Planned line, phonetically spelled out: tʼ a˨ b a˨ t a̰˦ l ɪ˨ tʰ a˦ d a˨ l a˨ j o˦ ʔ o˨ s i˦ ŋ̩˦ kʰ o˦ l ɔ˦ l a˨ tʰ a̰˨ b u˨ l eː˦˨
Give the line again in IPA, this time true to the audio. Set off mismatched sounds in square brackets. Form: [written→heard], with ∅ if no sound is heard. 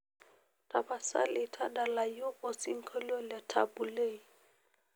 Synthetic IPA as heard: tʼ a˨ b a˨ [t→s] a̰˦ l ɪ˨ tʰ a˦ d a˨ l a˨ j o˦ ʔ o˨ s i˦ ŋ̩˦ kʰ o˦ l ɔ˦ l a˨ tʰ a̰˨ b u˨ l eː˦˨